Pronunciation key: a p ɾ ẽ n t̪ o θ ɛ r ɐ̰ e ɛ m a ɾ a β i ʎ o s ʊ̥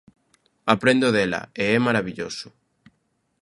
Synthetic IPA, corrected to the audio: a p ɾ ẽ n d̪ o ð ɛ l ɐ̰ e ɛ m a ɾ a β i ʎ o s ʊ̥